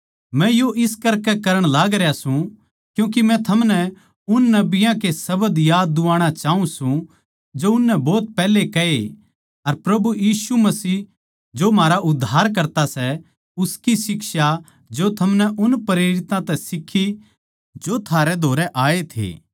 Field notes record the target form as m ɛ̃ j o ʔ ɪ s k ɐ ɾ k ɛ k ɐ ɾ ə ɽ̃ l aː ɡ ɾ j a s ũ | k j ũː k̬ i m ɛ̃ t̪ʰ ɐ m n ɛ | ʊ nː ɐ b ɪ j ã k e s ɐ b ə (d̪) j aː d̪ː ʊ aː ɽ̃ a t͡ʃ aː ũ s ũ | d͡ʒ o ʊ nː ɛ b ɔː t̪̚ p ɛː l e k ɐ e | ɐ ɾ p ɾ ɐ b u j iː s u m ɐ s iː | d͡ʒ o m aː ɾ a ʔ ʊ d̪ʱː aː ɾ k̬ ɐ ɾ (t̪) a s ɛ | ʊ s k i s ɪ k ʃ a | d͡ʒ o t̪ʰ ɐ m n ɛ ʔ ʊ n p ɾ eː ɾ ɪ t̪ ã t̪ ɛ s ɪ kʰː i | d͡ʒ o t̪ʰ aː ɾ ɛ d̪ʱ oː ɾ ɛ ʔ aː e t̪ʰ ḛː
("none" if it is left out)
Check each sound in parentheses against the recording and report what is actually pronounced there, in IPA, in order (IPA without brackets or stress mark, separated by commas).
d̪, t̪